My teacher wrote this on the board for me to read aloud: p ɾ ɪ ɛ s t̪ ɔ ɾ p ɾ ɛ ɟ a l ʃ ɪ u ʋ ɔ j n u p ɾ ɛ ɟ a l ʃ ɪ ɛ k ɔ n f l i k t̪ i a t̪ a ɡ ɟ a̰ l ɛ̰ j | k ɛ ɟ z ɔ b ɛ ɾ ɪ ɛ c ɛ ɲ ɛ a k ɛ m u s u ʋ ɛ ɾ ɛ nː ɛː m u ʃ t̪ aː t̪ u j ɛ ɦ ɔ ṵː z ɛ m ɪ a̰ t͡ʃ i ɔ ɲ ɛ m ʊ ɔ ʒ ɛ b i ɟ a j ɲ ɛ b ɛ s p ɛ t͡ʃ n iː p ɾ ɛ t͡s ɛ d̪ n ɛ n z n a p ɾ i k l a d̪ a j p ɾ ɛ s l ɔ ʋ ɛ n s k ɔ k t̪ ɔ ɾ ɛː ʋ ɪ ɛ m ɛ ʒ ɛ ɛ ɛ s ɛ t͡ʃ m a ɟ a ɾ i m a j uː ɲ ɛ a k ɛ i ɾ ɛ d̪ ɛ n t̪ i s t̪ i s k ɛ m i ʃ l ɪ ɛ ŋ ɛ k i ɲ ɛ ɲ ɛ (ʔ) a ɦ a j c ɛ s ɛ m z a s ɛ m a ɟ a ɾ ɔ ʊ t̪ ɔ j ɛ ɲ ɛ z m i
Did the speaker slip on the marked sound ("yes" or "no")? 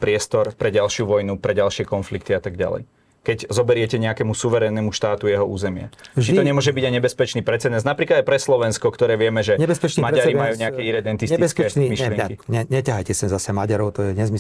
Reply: yes